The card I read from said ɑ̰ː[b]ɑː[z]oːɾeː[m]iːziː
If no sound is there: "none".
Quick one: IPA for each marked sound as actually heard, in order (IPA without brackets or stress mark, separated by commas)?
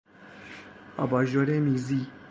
b, ʒ, m